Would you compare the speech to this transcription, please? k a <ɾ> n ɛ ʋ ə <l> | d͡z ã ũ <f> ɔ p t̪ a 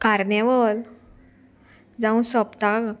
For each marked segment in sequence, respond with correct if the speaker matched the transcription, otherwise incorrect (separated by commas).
correct, correct, incorrect